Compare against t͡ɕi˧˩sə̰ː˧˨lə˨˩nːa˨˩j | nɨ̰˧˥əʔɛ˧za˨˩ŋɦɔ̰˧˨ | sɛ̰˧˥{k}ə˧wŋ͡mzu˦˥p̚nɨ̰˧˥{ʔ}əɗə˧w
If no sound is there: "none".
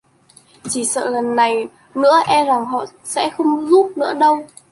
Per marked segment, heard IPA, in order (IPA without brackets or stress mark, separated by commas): x, none